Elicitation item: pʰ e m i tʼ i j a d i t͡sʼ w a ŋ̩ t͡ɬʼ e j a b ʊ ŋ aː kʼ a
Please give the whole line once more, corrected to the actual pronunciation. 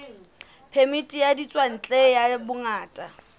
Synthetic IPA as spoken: pʰ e m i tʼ i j a d i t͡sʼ w a n̩ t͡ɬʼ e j a b ʊ ŋ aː tʼ a